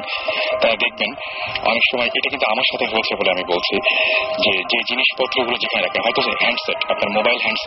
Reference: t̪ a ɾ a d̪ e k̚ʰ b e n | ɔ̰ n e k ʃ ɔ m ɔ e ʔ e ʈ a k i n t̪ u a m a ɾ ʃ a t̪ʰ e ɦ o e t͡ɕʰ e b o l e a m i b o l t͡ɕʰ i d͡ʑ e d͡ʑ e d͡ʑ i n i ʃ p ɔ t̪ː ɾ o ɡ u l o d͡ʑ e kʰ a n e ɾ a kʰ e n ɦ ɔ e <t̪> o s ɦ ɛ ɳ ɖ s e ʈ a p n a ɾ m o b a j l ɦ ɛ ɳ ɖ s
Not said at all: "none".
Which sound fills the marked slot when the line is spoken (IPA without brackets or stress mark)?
t̪